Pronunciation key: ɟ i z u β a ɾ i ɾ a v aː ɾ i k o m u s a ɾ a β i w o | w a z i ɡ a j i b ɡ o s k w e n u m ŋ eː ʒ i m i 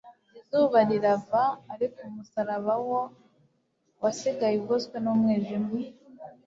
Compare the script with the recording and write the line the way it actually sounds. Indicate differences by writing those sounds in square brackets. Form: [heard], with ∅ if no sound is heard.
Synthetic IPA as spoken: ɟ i z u β a ɾ i ɾ a v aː ɾ i k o m u s a ɾ a β [a] w o | w a [s] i ɡ a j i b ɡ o s k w e n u m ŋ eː ʒ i m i